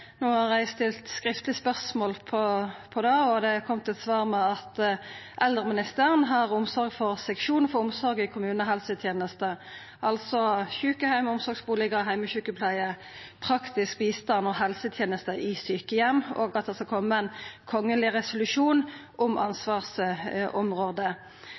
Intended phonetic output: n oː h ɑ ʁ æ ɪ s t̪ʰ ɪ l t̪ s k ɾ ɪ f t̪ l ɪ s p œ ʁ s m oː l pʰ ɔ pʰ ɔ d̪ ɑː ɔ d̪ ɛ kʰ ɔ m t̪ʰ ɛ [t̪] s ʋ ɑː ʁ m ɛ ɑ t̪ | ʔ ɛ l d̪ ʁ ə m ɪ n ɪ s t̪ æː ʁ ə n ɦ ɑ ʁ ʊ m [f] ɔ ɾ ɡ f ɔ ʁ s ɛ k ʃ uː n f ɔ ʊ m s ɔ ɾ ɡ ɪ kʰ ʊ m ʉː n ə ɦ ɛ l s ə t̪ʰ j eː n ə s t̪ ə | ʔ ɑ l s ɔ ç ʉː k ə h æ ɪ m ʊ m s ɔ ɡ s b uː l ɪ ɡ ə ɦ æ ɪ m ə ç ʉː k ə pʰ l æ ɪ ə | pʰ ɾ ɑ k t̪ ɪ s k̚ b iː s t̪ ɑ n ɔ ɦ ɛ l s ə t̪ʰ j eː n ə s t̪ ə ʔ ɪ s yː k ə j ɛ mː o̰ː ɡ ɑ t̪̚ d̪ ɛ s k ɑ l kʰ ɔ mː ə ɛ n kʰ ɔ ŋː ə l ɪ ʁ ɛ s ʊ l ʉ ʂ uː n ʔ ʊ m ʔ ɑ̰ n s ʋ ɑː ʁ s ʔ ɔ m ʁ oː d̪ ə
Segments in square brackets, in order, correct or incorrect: correct, incorrect: s

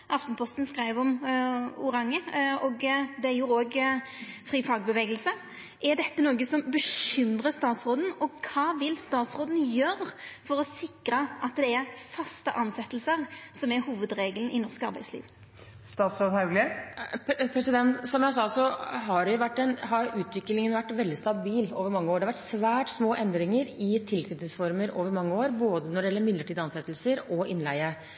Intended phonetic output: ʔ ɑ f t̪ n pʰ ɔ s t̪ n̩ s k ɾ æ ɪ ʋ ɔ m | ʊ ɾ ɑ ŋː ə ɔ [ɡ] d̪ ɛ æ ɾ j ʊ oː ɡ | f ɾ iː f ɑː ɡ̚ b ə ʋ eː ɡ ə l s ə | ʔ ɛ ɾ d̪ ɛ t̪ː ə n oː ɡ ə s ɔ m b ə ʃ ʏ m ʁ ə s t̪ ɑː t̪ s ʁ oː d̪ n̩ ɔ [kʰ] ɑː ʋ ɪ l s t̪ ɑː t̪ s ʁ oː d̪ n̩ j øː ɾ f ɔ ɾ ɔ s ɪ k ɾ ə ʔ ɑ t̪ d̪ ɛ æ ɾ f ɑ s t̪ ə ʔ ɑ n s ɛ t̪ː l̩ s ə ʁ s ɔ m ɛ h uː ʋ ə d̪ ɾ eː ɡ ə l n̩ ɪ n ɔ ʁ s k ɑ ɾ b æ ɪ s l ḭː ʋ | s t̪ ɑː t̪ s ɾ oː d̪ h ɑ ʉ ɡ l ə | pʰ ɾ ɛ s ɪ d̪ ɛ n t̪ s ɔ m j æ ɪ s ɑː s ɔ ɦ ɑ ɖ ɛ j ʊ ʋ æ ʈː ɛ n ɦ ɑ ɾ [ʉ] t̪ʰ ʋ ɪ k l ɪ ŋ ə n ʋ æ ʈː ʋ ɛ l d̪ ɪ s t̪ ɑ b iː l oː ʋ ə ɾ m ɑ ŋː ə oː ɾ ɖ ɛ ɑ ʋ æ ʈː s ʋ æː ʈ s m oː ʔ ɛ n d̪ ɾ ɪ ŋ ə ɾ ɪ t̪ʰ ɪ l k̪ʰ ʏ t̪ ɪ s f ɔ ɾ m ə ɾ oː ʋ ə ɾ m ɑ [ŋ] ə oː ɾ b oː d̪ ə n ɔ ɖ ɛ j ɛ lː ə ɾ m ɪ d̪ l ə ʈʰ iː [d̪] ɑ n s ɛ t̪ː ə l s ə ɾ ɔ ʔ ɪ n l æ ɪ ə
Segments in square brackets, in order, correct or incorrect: correct, correct, incorrect: ʉː, incorrect: ŋː, correct

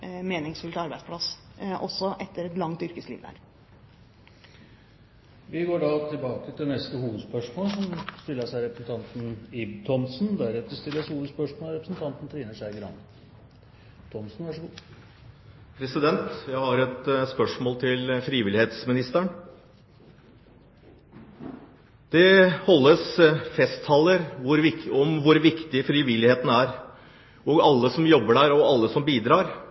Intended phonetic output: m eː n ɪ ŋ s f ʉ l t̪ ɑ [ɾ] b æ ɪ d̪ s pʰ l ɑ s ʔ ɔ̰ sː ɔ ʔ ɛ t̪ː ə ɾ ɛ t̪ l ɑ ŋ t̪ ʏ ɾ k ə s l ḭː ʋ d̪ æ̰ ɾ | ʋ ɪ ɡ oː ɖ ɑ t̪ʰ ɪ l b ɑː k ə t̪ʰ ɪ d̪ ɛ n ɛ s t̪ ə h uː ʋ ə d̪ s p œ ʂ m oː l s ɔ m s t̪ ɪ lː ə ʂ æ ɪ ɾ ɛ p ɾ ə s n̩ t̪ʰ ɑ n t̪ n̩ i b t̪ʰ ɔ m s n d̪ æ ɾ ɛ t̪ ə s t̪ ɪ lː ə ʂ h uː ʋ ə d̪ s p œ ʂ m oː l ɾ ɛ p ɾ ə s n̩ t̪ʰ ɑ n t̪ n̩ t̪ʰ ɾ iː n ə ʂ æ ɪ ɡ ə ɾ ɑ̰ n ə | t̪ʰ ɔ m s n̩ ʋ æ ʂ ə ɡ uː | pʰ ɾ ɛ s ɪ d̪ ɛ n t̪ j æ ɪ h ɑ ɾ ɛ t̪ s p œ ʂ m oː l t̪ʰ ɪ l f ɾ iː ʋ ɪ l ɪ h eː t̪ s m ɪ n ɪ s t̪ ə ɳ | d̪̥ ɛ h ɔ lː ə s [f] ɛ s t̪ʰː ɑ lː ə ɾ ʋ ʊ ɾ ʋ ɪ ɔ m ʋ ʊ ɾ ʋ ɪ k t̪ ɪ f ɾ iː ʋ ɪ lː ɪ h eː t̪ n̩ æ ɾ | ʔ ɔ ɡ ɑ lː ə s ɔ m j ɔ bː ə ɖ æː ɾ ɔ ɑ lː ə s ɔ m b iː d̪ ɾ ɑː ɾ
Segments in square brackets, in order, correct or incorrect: correct, correct

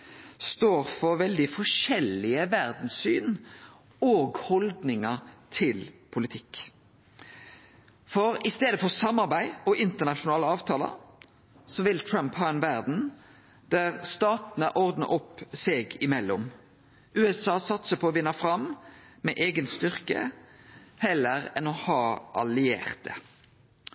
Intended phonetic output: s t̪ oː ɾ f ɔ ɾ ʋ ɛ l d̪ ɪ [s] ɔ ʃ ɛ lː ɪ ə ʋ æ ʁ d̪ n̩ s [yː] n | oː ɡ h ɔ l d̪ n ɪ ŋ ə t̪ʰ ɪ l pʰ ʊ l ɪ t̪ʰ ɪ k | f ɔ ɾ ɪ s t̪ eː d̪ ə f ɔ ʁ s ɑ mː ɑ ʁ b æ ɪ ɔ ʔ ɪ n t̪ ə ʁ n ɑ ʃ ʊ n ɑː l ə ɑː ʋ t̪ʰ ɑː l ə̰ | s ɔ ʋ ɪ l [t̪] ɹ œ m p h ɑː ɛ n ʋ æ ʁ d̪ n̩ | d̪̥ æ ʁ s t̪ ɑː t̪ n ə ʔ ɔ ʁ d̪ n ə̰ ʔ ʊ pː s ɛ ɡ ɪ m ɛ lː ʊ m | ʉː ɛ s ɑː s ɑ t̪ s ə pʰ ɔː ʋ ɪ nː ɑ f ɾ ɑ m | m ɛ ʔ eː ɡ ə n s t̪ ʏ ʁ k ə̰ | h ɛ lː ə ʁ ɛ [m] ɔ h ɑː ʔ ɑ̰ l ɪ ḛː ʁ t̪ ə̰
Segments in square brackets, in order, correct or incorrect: incorrect: f, correct, incorrect: t̪ʰ, incorrect: n

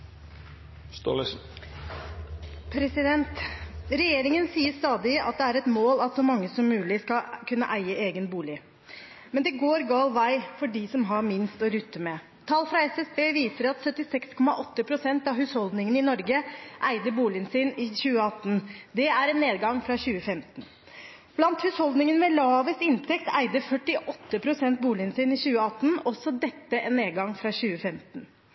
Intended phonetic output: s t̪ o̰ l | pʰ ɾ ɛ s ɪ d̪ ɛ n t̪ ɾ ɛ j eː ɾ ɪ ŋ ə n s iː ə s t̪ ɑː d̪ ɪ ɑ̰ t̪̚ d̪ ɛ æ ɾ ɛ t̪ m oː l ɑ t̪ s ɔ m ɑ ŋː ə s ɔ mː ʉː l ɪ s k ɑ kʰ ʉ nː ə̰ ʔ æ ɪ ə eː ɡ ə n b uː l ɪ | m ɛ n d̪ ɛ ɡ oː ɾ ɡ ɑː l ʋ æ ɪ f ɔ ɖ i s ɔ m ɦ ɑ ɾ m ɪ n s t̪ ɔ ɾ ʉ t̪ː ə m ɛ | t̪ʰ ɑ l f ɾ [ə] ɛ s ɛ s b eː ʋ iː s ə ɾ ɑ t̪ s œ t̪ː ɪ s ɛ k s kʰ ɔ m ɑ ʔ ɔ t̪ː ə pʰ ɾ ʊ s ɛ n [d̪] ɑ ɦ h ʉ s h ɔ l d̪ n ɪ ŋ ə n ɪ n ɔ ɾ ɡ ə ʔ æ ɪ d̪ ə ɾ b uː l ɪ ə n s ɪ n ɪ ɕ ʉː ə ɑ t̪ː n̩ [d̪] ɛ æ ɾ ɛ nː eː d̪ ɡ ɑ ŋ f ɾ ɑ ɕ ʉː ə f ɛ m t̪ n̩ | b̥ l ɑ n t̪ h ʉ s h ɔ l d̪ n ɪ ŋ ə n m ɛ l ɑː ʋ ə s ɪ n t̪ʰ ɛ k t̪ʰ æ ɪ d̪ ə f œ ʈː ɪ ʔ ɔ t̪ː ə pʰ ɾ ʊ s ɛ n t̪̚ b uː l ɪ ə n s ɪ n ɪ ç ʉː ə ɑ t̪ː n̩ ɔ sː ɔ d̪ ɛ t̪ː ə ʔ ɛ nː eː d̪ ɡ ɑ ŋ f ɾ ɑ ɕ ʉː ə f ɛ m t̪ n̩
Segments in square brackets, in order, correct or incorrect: incorrect: ɑ, incorrect: t̪, correct

